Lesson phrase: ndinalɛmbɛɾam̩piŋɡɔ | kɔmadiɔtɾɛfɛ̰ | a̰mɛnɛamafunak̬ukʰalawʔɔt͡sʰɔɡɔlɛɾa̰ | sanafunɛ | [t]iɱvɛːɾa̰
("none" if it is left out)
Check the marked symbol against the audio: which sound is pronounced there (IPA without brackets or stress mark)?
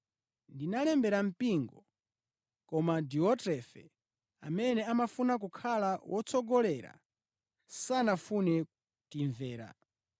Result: t